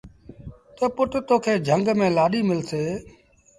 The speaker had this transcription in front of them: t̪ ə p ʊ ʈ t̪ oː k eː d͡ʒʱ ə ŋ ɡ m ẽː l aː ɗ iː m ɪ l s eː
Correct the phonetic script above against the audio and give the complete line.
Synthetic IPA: t̪ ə p ʊ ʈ t̪ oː kʰ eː d͡ʒʱ ə ŋ ɡ m ẽː l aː ɗ iː m ɪ l s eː